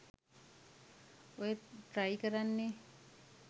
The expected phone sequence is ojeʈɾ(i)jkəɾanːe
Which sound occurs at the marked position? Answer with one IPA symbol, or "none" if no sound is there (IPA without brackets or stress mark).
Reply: a